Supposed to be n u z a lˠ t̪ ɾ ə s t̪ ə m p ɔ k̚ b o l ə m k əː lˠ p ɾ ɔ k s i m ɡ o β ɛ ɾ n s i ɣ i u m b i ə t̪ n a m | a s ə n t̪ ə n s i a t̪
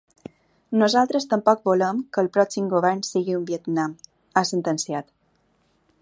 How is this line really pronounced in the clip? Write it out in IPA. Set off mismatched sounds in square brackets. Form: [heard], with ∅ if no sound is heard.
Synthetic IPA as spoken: n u z a lˠ t̪ ɾ ə s t̪ ə m p ɔ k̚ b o l ə m k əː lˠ p ɾ ɔ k s i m ɡ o β ɛ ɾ n s i ɣ i u m b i ə t̪ n a m | a s ə n t̪ ə n s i a t̪